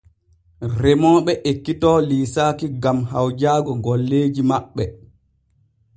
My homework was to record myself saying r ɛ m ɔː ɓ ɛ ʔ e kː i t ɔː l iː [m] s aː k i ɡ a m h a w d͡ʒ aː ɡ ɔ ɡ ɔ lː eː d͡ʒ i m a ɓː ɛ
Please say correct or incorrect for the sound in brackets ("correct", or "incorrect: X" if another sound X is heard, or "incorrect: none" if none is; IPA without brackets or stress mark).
incorrect: none